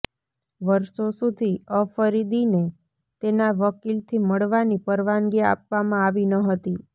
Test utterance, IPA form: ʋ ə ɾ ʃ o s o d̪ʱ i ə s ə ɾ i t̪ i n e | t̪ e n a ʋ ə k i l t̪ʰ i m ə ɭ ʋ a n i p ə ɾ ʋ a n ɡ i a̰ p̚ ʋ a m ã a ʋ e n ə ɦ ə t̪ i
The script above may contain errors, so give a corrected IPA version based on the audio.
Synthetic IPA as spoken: ʋ ə ɾ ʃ o s u d̪ʱ i ə f ə ɾ i d̪ i n e | t̪ e n a ʋ ə k i l t̪ʰ i m ə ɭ ʋ a n i p ə ɾ ʋ a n ɡ i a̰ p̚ ʋ a m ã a ʋ i n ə ɦ ə t̪ i